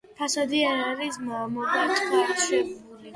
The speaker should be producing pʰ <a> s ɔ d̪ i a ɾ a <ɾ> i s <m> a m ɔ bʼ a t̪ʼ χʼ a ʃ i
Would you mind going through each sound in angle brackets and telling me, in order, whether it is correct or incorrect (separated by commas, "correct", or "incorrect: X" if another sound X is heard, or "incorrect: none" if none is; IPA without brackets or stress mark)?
correct, correct, correct